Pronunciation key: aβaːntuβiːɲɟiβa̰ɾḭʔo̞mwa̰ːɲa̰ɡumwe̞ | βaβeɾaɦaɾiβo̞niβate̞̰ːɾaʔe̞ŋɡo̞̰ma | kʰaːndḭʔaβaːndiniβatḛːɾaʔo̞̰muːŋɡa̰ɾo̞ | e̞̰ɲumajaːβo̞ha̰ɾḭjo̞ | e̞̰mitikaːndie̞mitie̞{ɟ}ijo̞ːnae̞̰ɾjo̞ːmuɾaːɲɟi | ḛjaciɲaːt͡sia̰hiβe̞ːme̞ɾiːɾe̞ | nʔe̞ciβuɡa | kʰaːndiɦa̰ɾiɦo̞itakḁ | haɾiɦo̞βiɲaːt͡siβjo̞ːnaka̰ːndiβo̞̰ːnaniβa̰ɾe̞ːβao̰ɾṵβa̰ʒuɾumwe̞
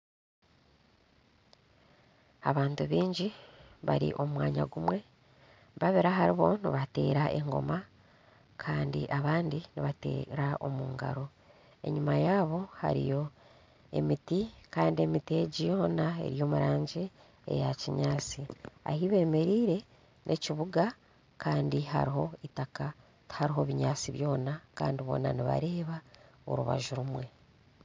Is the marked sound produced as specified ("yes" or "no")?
yes